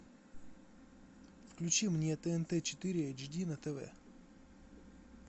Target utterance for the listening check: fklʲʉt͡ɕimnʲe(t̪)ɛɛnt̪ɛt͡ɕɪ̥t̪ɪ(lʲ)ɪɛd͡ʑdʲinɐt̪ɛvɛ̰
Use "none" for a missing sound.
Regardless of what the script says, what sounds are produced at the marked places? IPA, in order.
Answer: t̪, ɾʲ

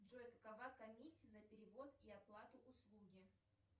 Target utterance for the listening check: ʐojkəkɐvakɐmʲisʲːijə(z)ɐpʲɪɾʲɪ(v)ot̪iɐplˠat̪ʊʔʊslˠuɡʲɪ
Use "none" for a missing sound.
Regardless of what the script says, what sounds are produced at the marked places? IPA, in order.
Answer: z, v

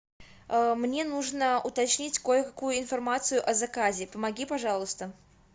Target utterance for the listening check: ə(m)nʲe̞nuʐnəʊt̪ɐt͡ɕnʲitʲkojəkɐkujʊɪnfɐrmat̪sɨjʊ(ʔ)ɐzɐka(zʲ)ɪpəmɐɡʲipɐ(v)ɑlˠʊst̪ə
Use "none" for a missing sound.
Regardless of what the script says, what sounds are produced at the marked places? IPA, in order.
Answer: m, ʔ, zʲ, ʐ

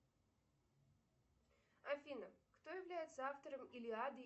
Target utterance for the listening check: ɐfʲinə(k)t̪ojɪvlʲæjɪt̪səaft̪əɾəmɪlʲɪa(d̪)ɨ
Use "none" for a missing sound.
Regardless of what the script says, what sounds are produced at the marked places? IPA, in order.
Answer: k, d̪

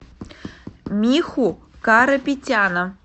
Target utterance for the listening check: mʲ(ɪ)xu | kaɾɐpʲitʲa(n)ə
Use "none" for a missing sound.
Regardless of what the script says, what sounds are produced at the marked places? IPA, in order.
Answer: i, n

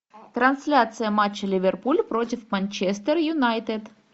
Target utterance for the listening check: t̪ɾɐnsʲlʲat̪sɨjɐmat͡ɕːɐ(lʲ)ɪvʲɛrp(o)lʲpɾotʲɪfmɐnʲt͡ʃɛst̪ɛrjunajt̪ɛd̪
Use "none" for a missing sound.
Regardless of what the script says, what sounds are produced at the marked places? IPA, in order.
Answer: lʲ, u

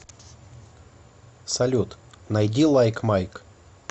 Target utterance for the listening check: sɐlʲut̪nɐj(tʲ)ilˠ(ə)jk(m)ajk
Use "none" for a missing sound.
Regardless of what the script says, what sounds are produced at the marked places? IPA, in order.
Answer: dʲ, a, m

